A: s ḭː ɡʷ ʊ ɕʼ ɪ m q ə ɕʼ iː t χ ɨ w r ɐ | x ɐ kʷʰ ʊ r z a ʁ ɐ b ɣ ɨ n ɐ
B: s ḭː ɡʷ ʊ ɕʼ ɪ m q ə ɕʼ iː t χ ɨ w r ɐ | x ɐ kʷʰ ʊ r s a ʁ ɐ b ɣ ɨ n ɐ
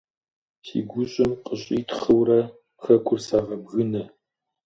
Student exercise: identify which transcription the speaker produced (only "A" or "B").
B